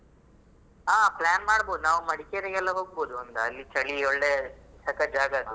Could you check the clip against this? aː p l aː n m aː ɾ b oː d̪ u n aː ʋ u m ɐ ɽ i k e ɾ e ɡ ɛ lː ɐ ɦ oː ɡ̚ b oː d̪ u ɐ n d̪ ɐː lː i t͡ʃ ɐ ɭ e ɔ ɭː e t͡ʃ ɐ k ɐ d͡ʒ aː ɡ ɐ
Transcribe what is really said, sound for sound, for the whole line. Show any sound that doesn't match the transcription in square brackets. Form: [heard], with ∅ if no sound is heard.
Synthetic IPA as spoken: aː p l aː n m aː [ɽ] b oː d̪ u n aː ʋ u m ɐ ɽ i k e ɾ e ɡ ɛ lː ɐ ɦ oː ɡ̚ b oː d̪ u ɐ n d̪ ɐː lː i t͡ʃ ɐ ɭ [i] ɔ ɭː e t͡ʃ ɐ k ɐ d͡ʒ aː ɡ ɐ